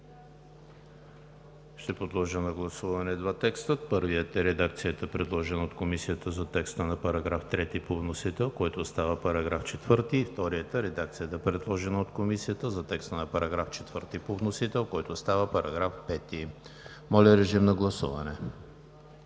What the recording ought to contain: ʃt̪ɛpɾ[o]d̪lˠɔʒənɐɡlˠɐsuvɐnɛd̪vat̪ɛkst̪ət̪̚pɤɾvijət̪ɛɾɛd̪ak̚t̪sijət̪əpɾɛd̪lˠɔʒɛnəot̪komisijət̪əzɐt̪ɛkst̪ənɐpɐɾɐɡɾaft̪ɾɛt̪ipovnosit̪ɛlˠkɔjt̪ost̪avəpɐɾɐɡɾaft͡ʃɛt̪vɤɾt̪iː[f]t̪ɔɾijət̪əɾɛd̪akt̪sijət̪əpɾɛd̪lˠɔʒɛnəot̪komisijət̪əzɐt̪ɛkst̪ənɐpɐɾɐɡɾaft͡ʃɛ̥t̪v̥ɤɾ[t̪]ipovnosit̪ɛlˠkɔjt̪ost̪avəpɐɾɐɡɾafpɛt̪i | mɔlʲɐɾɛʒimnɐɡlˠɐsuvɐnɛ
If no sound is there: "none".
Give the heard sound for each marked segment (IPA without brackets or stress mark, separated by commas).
o, f, t̪